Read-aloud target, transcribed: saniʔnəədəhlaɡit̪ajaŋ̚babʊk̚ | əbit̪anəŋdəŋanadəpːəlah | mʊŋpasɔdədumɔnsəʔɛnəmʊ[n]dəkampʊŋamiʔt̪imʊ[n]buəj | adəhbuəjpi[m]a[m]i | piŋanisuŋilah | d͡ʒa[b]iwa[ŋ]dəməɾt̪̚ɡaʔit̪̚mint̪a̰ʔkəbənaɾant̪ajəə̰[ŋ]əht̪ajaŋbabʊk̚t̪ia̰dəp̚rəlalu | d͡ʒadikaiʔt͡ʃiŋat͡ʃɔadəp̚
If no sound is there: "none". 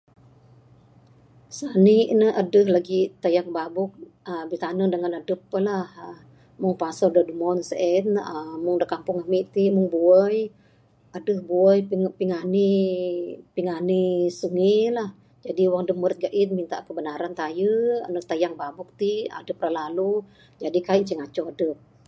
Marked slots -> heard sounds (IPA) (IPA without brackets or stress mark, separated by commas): ŋ, ŋ, ŋ, n, d, ŋ, n